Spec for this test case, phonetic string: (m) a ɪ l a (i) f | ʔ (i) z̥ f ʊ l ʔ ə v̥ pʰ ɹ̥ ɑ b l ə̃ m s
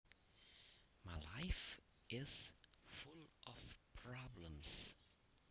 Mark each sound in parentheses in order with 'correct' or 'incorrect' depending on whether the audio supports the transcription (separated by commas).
correct, incorrect, incorrect